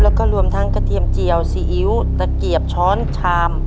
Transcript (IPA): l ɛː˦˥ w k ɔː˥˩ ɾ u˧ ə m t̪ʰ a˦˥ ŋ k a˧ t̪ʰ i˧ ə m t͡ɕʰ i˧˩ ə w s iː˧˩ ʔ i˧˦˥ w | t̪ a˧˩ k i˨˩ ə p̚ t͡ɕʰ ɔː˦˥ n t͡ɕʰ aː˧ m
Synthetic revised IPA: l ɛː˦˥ w k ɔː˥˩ ɾ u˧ ə m t̪ʰ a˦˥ ŋ k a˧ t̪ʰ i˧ ə m t͡ɕ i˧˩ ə w s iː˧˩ ʔ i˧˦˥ w | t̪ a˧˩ k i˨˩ ə p̚ t͡ɕʰ ɔː˦˥ n t͡ɕʰ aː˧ m